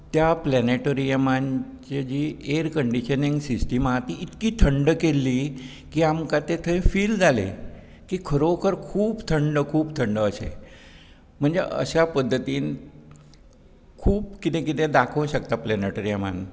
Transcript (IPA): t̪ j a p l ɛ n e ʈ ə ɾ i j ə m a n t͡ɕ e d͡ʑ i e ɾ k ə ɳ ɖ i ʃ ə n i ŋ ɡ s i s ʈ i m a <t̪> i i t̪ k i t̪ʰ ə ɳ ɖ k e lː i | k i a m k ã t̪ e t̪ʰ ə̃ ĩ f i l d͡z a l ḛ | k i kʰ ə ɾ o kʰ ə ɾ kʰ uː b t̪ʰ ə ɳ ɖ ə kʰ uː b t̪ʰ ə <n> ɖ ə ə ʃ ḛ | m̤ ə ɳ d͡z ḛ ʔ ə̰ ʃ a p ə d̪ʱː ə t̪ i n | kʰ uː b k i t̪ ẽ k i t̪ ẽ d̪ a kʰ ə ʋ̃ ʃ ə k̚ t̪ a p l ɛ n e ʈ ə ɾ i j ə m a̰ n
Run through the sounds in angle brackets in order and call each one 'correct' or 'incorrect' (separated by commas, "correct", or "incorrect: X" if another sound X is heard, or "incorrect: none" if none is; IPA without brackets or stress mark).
correct, incorrect: ɳ